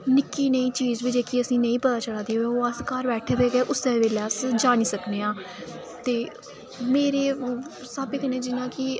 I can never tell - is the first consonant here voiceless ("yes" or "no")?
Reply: no